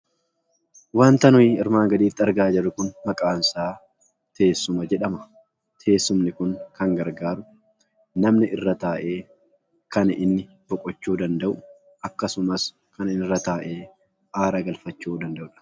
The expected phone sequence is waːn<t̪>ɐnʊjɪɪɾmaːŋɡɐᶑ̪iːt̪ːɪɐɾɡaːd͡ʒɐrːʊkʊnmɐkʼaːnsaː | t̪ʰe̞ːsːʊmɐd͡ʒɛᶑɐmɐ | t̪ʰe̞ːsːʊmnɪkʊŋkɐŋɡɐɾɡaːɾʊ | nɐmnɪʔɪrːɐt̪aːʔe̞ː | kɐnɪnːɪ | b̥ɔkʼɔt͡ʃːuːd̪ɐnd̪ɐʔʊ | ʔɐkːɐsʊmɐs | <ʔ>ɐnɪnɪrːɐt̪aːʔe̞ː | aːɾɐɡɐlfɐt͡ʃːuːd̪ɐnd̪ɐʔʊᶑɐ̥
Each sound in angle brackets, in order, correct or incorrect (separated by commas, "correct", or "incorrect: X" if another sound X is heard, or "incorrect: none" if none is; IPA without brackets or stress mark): correct, incorrect: k